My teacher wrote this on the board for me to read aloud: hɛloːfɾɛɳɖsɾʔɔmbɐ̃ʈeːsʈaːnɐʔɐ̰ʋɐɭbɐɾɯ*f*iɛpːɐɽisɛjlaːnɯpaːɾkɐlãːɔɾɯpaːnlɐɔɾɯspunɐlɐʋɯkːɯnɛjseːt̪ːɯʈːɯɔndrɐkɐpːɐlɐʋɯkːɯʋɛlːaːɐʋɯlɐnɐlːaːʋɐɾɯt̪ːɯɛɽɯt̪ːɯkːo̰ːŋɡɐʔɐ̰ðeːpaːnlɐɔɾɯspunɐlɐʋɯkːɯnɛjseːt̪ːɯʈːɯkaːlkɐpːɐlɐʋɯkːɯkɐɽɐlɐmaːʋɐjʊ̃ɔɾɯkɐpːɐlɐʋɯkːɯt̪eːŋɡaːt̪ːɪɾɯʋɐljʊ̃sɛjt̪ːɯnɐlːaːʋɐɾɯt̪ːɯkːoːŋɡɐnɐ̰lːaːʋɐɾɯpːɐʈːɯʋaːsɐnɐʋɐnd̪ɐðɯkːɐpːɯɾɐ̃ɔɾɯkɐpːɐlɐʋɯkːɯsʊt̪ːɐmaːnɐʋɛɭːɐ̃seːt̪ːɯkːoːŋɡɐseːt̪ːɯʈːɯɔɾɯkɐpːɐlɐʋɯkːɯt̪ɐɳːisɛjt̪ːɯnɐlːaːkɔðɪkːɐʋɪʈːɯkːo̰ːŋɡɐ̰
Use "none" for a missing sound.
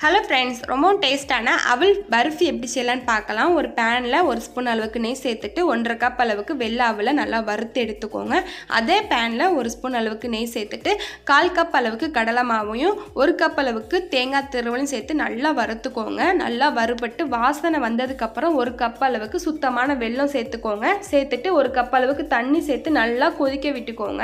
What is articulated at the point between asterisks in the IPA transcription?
f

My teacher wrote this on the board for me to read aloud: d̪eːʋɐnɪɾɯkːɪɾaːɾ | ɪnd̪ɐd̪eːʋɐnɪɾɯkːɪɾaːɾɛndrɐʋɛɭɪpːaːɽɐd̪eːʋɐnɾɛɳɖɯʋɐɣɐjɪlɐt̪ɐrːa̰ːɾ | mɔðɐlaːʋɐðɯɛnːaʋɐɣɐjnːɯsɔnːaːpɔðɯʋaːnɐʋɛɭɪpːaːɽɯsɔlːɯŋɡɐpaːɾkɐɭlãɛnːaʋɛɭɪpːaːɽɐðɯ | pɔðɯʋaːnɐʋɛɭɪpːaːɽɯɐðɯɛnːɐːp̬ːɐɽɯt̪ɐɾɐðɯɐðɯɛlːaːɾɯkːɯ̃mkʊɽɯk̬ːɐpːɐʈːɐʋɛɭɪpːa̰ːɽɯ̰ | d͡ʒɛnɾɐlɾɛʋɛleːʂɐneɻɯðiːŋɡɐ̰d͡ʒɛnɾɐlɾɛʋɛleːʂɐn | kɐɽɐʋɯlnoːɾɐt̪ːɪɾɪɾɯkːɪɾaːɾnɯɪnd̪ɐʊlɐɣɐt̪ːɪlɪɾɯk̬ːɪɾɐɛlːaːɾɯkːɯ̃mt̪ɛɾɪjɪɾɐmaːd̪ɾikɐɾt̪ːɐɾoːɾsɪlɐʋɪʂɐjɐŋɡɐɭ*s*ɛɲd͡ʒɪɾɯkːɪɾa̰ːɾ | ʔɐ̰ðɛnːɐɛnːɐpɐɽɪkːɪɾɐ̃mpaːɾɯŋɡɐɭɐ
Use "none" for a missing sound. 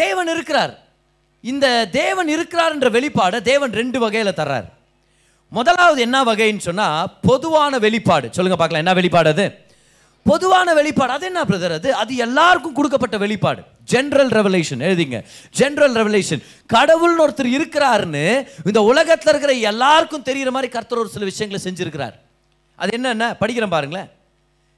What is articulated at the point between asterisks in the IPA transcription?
s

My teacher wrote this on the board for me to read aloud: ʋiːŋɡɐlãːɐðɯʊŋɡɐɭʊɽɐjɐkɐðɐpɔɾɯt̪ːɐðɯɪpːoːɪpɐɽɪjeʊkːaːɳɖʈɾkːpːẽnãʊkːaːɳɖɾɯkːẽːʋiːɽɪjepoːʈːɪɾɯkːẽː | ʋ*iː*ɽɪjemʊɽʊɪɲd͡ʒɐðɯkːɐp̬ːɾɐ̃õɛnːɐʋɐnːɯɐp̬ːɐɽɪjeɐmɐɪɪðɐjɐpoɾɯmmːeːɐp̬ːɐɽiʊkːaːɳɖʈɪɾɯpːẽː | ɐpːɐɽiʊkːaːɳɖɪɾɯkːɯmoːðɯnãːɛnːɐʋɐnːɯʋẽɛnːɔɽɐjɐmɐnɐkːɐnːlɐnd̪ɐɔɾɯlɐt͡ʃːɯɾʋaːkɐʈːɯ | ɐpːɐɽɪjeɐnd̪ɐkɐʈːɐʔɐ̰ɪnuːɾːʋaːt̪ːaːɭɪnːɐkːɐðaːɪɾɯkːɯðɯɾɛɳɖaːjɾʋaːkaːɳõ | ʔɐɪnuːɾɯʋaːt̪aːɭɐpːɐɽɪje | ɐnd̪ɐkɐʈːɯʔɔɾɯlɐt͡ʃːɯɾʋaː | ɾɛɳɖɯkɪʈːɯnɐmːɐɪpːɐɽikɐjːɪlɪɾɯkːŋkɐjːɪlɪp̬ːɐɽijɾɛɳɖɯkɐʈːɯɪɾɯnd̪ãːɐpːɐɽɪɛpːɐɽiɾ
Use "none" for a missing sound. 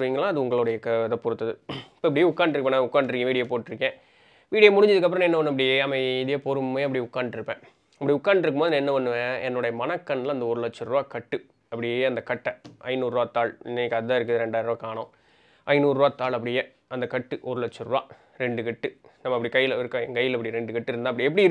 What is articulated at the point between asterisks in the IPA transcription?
iː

